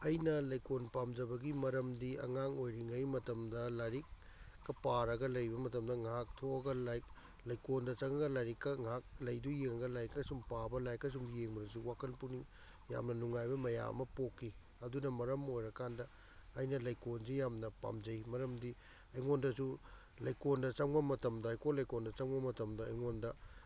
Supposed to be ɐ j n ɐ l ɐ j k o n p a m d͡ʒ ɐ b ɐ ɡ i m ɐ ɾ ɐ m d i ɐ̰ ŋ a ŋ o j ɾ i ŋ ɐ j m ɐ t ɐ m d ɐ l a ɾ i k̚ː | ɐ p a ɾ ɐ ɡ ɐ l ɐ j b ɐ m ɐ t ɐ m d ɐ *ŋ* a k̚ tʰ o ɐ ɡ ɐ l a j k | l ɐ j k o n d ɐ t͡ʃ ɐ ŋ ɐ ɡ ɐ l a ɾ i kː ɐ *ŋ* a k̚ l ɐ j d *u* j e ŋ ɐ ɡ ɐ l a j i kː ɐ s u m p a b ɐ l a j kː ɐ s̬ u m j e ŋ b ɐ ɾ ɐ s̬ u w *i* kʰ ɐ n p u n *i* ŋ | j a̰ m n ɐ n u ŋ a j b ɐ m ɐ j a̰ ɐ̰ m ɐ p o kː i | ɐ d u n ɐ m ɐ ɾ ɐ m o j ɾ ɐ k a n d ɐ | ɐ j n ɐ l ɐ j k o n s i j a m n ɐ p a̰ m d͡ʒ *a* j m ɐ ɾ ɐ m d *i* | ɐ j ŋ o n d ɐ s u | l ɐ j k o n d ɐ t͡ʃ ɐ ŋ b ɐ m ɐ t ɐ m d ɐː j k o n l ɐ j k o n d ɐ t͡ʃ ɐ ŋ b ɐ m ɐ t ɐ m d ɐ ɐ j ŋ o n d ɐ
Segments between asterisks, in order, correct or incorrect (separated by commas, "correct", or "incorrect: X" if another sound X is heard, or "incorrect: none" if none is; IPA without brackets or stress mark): correct, correct, correct, incorrect: a, correct, incorrect: ɐ, correct